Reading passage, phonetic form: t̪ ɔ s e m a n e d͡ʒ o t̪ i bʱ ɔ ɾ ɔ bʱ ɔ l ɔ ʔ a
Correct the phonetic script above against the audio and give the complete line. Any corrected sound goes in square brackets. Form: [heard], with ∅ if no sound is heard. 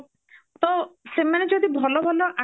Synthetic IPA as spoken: t̪ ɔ s e m a n e d͡ʒ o [d̪] i bʱ ɔ [l] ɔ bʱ ɔ l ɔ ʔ a